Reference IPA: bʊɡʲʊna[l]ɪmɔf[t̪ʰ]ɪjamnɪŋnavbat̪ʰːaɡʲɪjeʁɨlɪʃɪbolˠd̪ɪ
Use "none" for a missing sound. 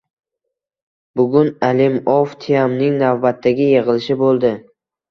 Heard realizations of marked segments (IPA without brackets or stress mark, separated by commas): l, t̪ʰ